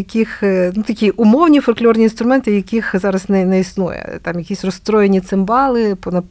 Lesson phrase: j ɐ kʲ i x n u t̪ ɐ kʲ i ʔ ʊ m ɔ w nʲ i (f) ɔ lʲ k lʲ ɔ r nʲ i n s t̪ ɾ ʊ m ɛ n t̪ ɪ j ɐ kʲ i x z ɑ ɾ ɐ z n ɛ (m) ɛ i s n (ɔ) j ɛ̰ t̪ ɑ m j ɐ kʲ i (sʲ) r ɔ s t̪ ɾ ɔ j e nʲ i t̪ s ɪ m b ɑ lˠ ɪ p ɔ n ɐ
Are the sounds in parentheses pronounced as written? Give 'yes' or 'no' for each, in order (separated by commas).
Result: yes, no, no, yes